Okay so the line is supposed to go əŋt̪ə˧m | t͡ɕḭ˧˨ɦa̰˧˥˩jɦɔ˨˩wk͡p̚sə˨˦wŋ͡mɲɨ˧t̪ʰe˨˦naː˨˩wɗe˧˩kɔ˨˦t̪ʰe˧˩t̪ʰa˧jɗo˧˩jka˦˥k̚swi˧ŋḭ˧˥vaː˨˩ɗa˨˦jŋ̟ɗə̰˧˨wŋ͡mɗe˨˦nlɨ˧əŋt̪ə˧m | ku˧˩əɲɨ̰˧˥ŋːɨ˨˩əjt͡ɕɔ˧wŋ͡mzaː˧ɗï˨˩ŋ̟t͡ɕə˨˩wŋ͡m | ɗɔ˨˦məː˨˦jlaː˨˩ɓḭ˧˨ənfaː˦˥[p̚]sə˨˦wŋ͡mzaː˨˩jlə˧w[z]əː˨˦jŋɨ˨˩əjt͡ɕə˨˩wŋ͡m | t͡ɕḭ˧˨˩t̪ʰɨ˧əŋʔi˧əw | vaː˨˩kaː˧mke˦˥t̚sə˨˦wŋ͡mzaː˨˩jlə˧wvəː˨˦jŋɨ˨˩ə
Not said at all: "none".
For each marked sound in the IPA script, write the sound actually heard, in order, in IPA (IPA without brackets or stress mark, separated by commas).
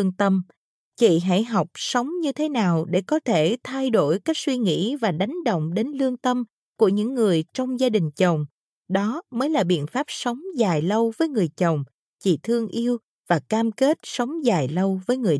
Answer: p̚, v